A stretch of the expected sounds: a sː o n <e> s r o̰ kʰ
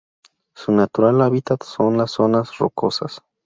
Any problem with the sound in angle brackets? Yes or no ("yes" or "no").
yes